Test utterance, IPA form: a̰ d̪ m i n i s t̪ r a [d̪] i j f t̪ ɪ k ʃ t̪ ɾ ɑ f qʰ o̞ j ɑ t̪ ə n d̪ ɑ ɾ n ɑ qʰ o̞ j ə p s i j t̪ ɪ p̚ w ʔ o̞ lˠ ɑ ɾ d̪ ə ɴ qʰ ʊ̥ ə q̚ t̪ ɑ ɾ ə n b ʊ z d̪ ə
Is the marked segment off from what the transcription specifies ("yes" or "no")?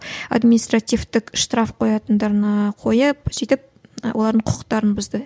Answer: yes